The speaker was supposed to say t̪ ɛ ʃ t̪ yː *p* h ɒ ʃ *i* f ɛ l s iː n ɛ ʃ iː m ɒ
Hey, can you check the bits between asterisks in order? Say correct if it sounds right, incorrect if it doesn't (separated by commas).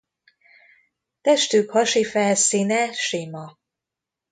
incorrect, correct